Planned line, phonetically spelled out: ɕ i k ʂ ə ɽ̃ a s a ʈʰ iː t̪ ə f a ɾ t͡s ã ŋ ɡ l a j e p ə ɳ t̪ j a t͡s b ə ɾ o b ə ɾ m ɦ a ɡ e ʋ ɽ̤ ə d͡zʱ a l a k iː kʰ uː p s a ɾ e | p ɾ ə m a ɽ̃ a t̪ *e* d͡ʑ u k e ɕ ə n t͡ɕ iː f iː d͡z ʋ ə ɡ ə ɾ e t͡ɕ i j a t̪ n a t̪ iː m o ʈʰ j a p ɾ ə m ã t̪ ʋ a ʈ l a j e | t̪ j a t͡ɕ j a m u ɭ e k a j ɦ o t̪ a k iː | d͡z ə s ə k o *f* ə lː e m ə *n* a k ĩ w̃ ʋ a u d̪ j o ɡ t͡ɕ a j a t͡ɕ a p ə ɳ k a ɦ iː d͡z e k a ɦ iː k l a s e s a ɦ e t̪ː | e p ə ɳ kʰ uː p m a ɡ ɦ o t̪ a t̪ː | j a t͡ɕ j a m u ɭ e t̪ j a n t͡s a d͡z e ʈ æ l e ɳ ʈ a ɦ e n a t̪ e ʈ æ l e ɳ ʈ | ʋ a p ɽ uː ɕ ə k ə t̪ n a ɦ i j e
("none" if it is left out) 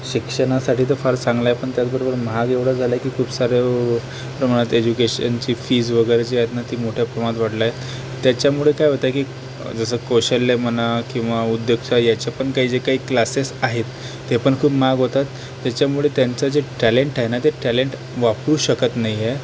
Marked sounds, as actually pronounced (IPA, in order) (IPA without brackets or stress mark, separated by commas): e, ɕ, n